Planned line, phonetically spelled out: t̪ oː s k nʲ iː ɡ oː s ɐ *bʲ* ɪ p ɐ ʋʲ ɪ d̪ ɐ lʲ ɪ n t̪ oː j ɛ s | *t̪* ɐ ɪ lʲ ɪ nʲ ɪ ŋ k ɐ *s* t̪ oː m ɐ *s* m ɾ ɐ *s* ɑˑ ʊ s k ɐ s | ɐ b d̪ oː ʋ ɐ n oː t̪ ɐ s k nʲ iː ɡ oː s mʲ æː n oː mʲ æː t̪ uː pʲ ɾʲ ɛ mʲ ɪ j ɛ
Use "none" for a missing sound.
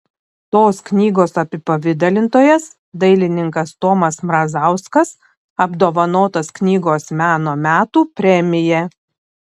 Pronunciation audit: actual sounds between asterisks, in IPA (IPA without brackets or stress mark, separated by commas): pʲ, d̪, s, s, z